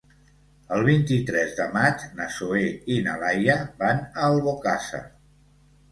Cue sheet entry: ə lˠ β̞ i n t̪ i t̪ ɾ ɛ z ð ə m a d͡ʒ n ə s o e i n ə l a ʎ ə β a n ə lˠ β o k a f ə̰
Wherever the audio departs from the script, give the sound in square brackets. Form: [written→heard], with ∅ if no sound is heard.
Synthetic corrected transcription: ə lˠ β̞ i n t̪ i t̪ ɾ ɛ z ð ə m a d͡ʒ n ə s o e i n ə l a [ʎ→j] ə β a n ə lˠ β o k a [f→s] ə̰

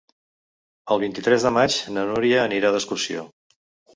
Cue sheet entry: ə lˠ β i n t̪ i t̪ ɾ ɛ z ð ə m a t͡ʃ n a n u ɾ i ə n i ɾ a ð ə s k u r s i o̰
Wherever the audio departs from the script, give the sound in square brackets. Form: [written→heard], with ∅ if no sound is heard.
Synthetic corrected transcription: ə lˠ β i n t̪ i t̪ ɾ ɛ z ð ə m a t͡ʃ n [a→ə] n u ɾ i [ə→əː] n i ɾ a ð ə s k u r s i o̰

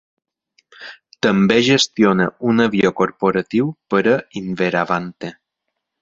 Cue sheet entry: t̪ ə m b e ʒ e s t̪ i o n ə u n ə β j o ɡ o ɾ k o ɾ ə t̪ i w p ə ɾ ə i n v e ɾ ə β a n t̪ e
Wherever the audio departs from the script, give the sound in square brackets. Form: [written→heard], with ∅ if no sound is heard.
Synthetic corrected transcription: t̪ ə m b e ʒ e s t̪ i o n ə u n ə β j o [ɡ→k] o ɾ [k→p] o ɾ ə t̪ i w p ə ɾ ə i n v e ɾ [ə→a] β a n t̪ e

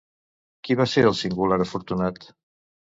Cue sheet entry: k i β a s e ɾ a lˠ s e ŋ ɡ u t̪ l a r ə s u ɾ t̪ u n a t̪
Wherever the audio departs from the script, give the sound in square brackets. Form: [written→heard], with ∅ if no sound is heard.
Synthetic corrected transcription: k i β a s e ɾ [a→ə] lˠ s [e→i] ŋ ɡ u [t̪→∅] l a [r→ɾ] ə [s→f] u ɾ t̪ u n a t̪

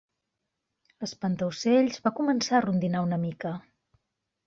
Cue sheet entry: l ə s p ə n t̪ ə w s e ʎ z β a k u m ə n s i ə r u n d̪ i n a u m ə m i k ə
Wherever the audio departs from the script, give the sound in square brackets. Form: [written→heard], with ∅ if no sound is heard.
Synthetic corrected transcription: l ə s p ə n t̪ ə w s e ʎ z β a k u m ə n s [i→a] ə r u n d̪ i n a u [m→n] ə m i k ə

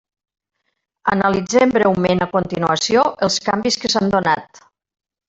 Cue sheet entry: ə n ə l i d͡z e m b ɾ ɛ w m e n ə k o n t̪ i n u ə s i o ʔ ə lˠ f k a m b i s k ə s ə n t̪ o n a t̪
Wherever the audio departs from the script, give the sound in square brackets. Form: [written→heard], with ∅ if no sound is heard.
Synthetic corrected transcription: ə n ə l i d͡z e m b ɾ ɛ w m e n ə k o n t̪ i n u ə s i o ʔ ə lˠ [f→s] k a m b i s k ə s [ə→a] n [t̪→d̪] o n a t̪

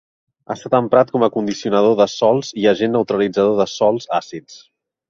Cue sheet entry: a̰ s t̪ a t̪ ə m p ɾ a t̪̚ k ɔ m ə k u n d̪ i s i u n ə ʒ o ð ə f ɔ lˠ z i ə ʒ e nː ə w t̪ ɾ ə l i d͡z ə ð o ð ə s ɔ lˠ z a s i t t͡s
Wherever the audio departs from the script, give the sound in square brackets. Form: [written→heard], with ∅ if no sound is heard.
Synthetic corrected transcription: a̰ s t̪ a t̪ ə m p ɾ a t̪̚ k ɔ m ə k u n d̪ i s i u n ə [ʒ→ð] o ð ə [f→s] ɔ lˠ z i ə ʒ e nː ə w t̪ ɾ ə l i d͡z ə ð o ð ə s ɔ lˠ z a s i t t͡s

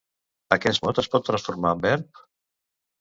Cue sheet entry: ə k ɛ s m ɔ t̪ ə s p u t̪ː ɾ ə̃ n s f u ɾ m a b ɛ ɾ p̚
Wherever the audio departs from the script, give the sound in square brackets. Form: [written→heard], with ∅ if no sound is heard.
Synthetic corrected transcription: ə k ɛ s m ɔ t̪ ə s p [u→ɔ] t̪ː ɾ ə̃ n s f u ɾ m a b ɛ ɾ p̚

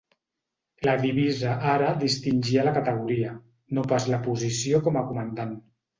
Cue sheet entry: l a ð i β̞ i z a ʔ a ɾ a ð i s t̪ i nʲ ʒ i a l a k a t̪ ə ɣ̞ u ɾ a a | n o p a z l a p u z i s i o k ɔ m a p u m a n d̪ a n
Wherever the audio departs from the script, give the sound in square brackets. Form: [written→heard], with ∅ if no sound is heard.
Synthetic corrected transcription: l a ð i β̞ i z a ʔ a ɾ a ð i s t̪ i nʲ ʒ i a l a k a t̪ ə ɣ̞ u ɾ [a→i] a | n o p a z l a p u z i s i o k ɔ m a [p→k] u m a n d̪ a n

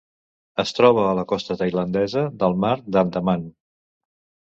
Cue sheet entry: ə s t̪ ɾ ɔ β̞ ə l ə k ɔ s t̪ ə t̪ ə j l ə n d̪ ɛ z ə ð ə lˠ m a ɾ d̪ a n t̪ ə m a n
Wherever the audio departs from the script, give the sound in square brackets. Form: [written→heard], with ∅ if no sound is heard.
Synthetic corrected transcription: ə s t̪ ɾ ɔ β̞ [ə→əː] l ə k ɔ s t̪ ə t̪ ə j l ə n d̪ ɛ z ə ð ə lˠ m a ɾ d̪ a n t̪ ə m a n

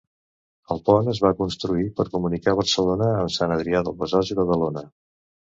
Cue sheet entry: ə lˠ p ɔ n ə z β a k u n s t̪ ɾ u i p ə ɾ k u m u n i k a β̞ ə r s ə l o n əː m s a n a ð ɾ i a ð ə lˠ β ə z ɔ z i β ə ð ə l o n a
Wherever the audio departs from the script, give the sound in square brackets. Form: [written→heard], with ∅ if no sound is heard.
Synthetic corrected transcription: ə lˠ p ɔ n ə z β a k u n s t̪ ɾ u i p ə ɾ k u m u n i k a β̞ ə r s ə l o n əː m s a n [a→ə] ð ɾ i a ð ə lˠ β ə z ɔ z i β ə ð ə l o n [a→ə]

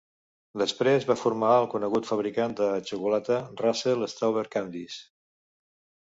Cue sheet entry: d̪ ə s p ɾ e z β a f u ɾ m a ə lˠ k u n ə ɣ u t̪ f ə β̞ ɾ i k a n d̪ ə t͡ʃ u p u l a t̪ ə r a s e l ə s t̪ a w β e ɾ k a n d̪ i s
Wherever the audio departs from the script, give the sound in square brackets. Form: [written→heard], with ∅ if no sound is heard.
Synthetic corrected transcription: d̪ ə s p ɾ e z β a f u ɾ m a ə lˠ k u n ə ɣ u t̪ f ə β̞ ɾ i k a n d̪ ə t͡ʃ u [p→k] u l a t̪ ə r a s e l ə s t̪ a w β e ɾ k a n d̪ i s

